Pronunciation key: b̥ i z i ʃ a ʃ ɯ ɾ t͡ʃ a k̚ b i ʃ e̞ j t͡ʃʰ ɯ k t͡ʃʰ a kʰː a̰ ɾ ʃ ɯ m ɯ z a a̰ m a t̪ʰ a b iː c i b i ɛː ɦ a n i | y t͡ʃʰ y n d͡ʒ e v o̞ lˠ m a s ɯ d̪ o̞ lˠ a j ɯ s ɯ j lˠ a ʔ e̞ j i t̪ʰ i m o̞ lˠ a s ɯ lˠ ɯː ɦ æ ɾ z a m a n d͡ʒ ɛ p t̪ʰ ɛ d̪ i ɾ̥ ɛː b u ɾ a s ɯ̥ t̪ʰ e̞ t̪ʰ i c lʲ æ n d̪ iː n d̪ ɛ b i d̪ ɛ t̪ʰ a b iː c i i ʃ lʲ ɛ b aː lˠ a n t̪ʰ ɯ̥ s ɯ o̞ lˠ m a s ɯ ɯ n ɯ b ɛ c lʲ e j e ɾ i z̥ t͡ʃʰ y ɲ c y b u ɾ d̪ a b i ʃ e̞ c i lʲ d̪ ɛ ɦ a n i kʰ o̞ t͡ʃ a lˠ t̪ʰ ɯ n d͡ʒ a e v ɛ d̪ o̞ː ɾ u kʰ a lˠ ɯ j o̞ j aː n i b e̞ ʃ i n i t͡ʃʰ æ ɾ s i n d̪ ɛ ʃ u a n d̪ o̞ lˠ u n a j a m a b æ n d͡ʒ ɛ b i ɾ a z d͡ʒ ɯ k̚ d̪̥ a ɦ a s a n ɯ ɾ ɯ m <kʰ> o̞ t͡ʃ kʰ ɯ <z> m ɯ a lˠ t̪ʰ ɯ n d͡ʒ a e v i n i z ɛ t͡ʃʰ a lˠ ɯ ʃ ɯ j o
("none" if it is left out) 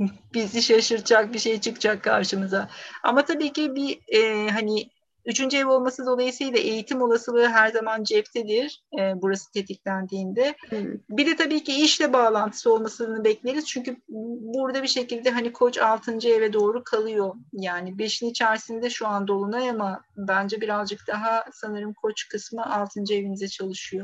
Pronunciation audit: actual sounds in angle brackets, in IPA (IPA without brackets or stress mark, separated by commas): kʰ, s